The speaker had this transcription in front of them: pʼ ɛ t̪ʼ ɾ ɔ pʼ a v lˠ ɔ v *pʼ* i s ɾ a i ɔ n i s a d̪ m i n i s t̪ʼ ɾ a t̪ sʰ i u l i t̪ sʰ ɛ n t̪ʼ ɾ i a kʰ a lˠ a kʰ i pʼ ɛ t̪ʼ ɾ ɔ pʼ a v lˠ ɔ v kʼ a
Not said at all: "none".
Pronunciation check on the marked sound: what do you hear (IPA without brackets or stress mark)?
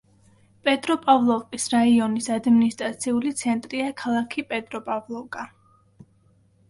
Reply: kʼ